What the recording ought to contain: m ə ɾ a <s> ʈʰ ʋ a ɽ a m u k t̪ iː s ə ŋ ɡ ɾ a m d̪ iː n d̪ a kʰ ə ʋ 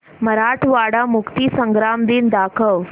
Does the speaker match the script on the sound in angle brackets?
no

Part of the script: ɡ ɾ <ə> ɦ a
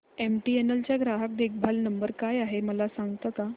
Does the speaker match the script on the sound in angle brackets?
no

